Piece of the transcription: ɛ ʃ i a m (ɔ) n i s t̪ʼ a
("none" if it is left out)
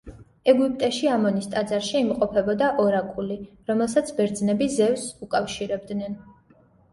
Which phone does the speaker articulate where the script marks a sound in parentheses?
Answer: ɔ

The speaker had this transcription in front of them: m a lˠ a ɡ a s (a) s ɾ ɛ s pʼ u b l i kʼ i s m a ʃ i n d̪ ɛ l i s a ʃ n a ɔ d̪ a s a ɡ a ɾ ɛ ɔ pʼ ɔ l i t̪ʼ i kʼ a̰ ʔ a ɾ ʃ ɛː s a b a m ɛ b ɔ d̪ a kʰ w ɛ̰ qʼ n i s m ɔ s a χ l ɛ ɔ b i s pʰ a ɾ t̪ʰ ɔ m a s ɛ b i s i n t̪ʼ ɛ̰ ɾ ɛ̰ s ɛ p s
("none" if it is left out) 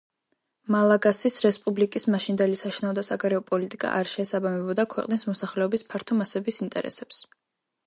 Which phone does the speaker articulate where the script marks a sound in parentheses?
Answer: i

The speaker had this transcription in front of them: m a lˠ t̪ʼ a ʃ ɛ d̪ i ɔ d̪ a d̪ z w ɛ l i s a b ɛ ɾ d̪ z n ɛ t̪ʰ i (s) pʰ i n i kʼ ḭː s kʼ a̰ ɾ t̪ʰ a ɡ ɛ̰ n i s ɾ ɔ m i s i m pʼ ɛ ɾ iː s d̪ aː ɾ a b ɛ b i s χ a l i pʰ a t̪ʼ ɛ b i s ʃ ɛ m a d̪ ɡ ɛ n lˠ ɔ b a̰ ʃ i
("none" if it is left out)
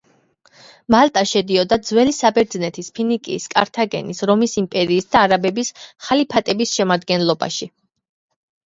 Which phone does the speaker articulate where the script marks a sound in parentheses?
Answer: s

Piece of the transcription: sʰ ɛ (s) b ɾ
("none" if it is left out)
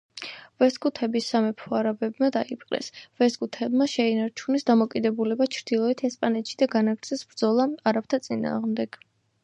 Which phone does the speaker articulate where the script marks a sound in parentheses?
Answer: s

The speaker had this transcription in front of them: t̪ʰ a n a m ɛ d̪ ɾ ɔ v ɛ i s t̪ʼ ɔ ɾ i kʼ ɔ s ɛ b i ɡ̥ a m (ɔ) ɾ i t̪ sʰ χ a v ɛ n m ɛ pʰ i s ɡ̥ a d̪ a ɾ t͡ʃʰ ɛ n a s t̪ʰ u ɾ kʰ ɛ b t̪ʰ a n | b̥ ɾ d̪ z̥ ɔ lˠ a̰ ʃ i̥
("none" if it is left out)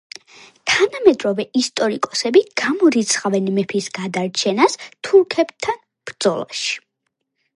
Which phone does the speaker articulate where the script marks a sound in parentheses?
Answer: ɔ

